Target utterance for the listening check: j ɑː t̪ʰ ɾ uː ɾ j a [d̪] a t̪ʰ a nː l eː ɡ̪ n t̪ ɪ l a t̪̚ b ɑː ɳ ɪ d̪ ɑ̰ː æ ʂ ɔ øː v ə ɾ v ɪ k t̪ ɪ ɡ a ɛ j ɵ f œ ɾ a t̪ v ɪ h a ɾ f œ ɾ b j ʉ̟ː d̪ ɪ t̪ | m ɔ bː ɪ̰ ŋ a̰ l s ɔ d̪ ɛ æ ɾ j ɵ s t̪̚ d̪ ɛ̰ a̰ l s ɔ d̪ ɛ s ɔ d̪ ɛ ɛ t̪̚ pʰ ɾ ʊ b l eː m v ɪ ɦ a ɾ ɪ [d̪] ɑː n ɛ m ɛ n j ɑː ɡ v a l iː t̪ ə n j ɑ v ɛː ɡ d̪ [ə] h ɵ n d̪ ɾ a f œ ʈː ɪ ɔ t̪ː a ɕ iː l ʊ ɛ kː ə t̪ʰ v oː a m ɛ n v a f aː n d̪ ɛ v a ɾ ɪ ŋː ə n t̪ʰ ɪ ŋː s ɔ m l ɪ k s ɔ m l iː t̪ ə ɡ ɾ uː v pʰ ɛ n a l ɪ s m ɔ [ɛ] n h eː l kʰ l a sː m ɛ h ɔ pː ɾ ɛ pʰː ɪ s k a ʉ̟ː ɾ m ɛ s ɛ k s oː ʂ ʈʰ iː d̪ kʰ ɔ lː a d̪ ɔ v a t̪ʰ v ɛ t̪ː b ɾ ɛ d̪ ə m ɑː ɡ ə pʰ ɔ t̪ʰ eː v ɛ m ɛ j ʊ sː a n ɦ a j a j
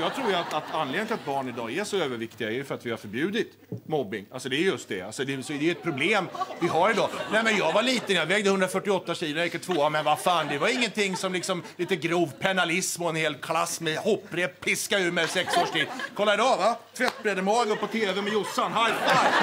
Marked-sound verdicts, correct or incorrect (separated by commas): incorrect, correct, correct, correct